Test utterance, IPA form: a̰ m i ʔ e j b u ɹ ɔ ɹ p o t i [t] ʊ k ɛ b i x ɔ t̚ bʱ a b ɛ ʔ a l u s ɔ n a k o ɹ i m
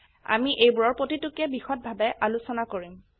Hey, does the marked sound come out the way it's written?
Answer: yes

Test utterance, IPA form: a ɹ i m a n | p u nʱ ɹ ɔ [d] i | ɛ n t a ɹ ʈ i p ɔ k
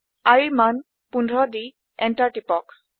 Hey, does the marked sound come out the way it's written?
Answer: yes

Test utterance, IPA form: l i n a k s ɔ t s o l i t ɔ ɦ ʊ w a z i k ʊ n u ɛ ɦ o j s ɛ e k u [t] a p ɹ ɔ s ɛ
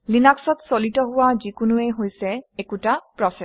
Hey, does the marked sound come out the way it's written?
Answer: yes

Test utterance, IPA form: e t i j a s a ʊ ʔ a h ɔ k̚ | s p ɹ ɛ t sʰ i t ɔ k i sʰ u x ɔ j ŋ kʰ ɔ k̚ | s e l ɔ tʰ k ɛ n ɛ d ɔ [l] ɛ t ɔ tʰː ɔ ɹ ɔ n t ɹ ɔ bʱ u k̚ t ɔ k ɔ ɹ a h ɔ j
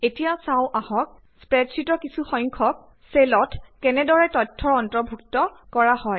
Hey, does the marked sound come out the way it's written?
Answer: no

